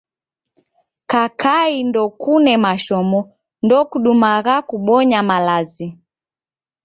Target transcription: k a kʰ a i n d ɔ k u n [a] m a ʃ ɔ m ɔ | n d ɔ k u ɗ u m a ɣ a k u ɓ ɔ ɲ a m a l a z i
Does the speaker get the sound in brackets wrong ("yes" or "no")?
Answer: yes